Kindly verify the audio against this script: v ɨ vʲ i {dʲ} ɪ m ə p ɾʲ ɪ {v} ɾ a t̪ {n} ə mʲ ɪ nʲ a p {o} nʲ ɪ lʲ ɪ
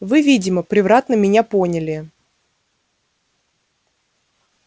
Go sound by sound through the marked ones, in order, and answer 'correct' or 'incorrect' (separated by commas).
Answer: correct, correct, correct, correct